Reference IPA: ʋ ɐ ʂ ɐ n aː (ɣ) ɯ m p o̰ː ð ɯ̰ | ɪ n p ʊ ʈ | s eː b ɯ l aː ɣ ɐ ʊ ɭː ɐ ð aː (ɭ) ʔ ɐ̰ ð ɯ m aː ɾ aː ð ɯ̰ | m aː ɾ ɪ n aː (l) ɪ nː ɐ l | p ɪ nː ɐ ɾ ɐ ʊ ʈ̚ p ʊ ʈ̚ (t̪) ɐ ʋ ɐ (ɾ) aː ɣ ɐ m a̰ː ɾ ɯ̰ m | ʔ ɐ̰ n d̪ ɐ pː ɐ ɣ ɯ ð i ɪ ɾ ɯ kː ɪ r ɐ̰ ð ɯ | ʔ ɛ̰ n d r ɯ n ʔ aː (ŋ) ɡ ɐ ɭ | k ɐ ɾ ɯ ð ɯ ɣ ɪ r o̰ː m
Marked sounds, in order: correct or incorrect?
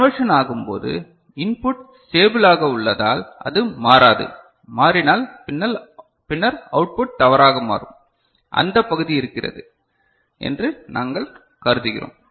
correct, incorrect: l, correct, correct, correct, correct

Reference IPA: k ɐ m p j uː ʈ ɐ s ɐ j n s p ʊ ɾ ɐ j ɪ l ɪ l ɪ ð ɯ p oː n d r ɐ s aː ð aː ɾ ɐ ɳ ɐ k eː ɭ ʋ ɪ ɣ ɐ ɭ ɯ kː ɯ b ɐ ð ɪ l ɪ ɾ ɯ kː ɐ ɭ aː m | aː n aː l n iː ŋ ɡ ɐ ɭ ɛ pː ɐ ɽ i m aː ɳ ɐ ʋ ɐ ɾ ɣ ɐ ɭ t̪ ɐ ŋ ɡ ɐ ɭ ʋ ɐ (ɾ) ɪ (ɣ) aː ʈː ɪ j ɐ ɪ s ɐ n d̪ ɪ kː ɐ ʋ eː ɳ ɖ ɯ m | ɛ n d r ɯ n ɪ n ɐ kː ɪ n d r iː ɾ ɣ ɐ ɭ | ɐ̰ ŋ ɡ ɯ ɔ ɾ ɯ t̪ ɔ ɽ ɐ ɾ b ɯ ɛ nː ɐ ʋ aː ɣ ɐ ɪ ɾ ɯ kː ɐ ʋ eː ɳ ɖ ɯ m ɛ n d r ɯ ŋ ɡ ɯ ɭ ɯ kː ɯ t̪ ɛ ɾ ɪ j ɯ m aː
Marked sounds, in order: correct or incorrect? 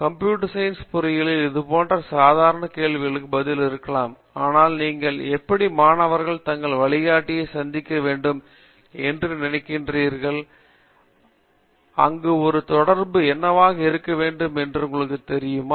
incorrect: ɭ, correct

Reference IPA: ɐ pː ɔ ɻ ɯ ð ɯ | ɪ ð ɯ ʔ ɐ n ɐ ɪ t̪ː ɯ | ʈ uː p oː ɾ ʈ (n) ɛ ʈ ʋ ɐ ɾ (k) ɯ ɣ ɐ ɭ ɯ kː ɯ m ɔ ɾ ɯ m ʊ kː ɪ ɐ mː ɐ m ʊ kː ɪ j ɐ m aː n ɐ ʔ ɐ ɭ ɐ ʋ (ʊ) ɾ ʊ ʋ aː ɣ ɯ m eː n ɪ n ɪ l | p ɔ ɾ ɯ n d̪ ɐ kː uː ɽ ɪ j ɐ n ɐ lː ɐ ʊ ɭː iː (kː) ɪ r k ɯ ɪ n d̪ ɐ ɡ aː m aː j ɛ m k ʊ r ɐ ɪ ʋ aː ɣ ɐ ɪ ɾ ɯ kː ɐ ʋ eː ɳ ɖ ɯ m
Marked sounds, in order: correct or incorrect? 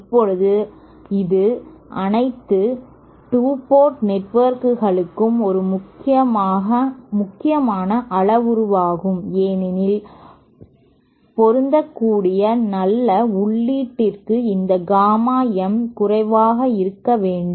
correct, correct, correct, incorrect: ʈː

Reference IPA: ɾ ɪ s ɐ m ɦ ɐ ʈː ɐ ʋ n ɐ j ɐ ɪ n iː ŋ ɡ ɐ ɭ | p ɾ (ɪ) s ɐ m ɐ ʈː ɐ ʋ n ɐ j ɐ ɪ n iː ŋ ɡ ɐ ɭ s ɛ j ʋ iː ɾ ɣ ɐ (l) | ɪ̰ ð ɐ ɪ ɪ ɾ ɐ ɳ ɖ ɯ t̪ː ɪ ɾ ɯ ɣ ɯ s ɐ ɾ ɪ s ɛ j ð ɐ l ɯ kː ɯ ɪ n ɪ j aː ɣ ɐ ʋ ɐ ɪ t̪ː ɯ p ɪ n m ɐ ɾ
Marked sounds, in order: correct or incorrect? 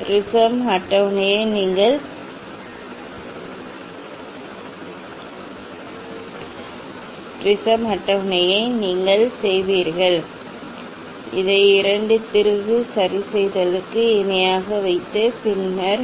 correct, incorrect: ɭ

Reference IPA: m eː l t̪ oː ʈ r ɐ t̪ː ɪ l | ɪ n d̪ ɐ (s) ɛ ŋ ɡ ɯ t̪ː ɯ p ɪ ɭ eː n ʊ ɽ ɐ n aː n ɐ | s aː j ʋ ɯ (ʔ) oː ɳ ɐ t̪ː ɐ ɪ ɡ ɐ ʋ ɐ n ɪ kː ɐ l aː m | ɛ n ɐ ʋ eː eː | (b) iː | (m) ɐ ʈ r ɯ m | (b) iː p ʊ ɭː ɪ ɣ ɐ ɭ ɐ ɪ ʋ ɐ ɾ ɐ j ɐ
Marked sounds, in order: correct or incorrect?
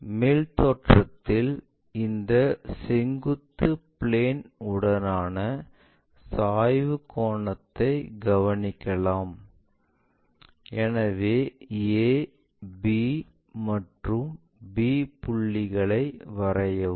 correct, incorrect: k, correct, correct, correct

